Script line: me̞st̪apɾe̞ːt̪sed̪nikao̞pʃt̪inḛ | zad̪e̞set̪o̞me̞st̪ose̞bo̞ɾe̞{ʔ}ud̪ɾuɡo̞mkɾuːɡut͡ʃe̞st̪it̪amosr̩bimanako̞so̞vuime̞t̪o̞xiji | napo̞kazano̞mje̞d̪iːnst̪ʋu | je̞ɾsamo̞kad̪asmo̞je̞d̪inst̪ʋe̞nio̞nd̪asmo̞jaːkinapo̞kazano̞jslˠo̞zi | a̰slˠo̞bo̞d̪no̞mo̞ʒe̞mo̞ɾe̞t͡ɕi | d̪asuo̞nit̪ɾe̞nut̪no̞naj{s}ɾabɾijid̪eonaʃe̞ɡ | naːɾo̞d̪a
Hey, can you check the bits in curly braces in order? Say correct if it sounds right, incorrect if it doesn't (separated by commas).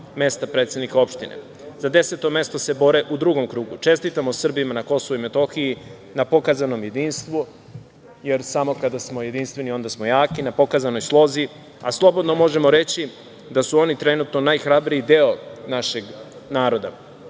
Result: correct, incorrect